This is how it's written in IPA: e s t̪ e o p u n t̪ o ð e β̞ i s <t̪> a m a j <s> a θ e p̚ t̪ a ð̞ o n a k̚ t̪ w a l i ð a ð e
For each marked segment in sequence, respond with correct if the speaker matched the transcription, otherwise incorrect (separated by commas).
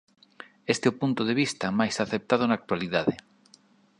correct, correct